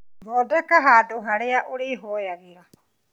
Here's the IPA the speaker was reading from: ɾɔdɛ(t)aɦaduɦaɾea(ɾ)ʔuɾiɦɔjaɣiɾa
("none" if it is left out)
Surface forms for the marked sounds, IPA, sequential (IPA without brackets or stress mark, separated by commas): k, none